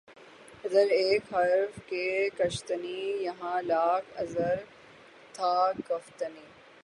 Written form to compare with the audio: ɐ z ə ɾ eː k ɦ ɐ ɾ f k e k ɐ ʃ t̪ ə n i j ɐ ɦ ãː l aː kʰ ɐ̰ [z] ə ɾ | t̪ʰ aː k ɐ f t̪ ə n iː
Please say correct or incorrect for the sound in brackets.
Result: correct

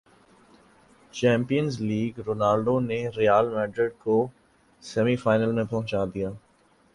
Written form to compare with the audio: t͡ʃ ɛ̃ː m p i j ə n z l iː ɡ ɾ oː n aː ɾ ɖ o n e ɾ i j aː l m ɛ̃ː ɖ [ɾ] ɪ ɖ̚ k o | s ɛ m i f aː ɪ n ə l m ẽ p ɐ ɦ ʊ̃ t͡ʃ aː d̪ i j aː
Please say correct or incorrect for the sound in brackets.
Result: correct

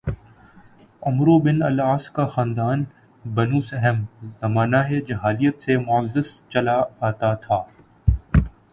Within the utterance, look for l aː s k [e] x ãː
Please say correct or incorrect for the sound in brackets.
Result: incorrect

